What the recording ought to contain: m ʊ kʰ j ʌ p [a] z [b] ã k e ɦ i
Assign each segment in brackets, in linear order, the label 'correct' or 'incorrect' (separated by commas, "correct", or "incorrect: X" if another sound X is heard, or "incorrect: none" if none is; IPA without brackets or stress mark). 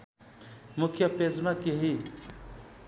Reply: incorrect: e, incorrect: m